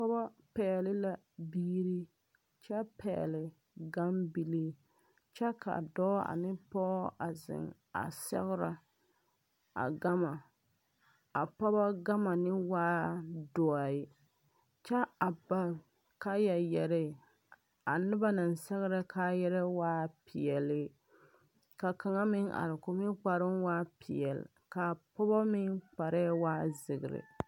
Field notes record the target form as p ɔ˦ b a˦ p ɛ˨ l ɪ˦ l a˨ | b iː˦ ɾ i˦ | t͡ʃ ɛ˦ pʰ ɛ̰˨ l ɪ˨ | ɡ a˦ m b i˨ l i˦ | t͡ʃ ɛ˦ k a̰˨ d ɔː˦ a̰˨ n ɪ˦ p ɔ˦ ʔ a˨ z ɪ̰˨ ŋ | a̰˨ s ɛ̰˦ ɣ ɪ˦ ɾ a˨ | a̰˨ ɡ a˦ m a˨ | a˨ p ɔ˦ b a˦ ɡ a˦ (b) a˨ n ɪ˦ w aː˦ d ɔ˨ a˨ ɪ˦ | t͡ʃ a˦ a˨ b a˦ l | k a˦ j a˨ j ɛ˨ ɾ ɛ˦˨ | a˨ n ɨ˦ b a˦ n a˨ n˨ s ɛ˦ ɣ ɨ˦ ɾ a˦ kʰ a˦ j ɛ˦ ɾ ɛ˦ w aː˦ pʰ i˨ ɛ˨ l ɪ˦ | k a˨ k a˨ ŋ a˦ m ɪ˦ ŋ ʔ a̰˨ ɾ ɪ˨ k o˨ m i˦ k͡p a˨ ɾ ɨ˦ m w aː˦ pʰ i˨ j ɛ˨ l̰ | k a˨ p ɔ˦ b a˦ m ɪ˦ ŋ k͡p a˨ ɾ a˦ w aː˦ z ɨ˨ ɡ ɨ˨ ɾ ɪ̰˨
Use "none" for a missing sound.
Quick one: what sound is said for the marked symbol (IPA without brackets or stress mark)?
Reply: m